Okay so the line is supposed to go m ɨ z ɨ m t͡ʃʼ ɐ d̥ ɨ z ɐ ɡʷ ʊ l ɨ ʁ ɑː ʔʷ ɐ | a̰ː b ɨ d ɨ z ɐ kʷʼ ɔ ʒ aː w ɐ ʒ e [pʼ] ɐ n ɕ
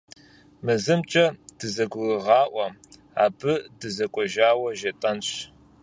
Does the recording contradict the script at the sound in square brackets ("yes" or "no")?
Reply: yes